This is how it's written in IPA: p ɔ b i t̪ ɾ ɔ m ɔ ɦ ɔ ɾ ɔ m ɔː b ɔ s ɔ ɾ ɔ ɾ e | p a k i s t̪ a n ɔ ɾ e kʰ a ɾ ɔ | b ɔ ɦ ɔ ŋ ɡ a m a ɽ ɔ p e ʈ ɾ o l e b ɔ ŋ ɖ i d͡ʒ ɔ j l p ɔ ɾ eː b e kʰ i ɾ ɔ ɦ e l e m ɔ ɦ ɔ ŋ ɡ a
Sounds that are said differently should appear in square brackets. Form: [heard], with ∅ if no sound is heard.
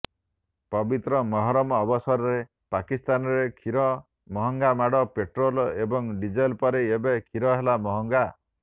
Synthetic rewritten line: p ɔ b i t̪ ɾ ɔ m ɔ ɦ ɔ ɾ ɔ m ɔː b ɔ s ɔ ɾ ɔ ɾ e | p a k i s t̪ a n ɔ ɾ e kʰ [i] ɾ ɔ | [m] ɔ ɦ ɔ ŋ ɡ a m a ɽ ɔ p e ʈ ɾ o l e b ɔ ŋ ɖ i d͡ʒ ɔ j l p ɔ ɾ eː b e kʰ i ɾ ɔ ɦ e l [a] m ɔ ɦ ɔ ŋ ɡ a

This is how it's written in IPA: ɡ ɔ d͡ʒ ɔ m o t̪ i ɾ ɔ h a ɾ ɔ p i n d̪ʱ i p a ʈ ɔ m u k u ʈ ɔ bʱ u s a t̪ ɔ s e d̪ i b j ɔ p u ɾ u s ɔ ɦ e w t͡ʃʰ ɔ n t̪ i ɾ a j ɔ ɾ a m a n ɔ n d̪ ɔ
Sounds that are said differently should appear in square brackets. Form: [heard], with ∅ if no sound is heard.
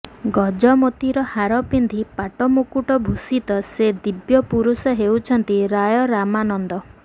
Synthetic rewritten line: ɡ ɔ d͡ʒ ɔ m o t̪ i ɾ ɔ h a ɾ ɔ p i n d̪ʱ i p a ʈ ɔ m u k u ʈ ɔ bʱ u s [i] t̪ ɔ s e d̪ i b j ɔ p u ɾ u s ɔ ɦ e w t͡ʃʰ ɔ n t̪ i ɾ a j ɔ ɾ a m a n ɔ n d̪ ɔ

